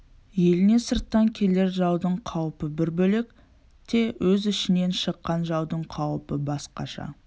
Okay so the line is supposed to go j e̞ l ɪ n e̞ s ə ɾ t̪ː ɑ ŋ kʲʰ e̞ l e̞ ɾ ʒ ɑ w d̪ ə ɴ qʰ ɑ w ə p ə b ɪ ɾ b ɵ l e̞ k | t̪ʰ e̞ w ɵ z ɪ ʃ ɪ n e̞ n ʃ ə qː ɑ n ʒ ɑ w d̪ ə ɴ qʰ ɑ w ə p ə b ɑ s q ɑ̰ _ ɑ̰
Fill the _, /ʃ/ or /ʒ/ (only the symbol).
ʃ